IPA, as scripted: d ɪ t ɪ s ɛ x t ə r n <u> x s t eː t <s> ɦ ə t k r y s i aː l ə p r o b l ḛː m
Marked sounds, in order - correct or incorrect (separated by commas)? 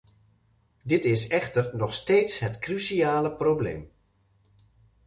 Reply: incorrect, correct